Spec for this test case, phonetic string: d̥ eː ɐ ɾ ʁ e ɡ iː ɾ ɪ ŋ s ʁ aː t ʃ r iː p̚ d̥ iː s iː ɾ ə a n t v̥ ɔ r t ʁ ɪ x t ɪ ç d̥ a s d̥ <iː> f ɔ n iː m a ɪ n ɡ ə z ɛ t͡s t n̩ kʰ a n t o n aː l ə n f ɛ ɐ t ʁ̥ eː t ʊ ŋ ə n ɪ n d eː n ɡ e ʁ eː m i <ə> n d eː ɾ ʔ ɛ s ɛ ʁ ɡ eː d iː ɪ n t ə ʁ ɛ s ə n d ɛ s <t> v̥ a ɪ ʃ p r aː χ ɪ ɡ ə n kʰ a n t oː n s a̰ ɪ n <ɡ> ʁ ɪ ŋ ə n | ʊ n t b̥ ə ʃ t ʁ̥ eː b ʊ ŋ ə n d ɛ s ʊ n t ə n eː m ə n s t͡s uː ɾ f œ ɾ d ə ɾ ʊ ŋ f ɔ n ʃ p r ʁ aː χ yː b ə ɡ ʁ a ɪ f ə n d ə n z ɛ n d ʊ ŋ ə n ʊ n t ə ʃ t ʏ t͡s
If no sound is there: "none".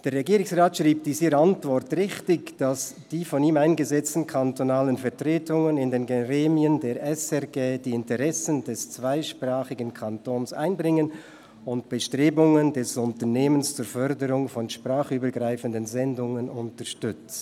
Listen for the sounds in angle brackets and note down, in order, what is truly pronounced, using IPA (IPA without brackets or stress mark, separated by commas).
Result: iː, ə, t͡s, b